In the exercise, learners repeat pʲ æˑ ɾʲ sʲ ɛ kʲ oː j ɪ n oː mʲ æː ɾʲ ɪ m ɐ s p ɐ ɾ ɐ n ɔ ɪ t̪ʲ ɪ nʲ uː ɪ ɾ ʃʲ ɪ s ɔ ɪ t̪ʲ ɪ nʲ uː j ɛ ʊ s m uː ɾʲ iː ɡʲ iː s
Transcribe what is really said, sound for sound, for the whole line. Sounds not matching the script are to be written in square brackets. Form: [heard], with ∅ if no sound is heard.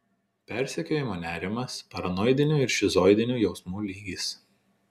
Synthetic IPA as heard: pʲ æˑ ɾʲ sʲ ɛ kʲ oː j ɪ [m] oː [nʲ] æː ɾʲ ɪ m ɐ s p ɐ ɾ ɐ n ɔ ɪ [d̪ʲ] ɪ nʲ uː ɪ ɾ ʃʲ ɪ [z] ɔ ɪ [d̪ʲ] ɪ nʲ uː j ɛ ʊ s m uː [lʲ] iː ɡʲ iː s